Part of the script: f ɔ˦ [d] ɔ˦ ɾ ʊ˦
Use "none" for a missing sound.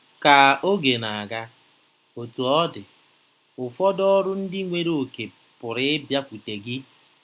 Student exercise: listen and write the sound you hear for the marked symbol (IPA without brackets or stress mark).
d